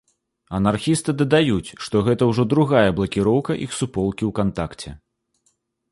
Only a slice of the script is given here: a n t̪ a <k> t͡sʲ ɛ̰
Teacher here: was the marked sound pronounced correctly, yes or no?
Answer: yes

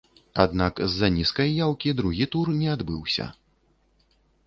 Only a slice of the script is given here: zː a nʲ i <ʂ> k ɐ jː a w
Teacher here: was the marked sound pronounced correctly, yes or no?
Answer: no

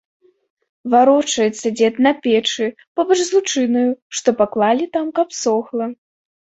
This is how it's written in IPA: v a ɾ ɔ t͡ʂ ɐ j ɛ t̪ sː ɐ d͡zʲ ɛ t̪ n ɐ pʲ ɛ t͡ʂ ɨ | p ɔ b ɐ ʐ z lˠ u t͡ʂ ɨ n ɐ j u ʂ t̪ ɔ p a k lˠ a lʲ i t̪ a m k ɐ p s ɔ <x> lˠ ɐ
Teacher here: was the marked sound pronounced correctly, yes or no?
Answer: yes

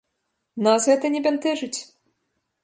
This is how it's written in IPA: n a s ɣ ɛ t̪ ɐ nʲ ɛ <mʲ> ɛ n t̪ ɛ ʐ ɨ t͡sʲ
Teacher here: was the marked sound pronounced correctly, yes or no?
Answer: no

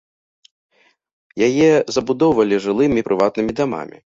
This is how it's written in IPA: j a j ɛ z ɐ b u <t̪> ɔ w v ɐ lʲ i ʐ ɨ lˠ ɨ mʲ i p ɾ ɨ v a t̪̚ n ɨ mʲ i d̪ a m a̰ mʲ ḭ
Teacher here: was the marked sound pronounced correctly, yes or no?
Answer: no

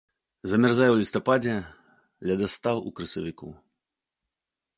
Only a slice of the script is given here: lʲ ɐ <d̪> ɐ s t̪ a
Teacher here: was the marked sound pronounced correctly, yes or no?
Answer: yes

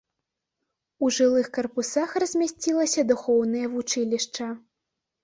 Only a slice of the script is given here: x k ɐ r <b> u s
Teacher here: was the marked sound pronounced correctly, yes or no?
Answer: no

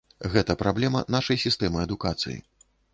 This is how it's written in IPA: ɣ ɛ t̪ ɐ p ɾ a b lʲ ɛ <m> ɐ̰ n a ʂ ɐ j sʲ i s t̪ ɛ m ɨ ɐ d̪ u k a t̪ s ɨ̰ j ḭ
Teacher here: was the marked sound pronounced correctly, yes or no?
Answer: yes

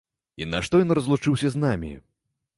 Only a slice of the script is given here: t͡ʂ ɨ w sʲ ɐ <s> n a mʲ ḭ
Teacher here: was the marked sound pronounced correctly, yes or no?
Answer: no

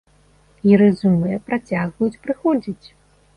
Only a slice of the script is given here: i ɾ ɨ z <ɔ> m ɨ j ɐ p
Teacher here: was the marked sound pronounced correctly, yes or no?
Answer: no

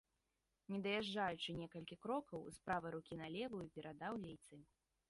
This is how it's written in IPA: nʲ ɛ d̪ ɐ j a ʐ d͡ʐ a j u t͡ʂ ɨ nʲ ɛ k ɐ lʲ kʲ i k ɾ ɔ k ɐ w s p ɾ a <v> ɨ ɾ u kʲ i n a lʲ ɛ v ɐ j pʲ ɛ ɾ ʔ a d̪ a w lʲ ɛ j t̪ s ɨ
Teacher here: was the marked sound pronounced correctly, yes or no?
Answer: yes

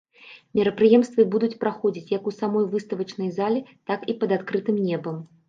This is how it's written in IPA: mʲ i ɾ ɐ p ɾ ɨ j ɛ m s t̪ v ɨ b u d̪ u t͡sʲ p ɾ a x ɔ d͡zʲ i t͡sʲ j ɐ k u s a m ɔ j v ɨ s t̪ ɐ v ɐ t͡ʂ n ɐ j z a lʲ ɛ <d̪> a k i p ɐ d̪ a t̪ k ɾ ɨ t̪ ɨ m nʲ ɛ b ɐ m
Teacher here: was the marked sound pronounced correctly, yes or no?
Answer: no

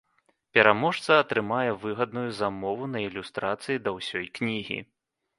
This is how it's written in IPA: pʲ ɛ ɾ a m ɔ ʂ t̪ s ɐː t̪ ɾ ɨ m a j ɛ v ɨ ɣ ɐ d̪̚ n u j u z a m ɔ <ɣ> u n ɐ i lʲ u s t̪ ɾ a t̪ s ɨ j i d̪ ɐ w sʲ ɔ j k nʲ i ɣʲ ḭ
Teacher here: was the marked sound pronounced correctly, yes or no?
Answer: no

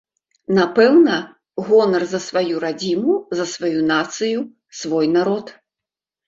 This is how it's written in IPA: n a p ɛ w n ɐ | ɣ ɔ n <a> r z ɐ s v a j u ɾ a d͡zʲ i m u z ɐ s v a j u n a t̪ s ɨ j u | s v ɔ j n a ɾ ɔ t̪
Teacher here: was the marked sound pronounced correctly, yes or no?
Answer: no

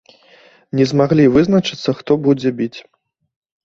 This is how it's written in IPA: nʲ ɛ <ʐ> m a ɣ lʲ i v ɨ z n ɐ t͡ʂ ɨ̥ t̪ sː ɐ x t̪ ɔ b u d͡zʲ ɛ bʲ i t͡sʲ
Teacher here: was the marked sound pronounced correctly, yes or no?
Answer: no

